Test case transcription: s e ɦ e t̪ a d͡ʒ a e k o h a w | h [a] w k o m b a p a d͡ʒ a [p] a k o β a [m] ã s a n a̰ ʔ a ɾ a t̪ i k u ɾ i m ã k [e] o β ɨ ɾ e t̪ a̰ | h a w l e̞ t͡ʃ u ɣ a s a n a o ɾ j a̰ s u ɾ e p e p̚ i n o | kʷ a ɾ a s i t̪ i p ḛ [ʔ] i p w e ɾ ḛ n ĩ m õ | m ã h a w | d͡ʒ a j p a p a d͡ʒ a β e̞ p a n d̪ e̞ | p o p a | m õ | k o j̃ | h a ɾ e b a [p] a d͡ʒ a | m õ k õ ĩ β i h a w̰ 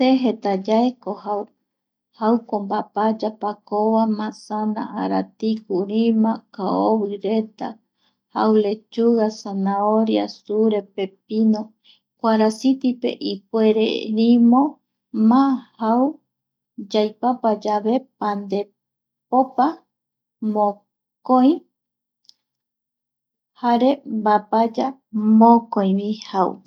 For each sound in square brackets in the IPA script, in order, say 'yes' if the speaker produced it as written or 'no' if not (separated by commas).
yes, yes, yes, no, yes, yes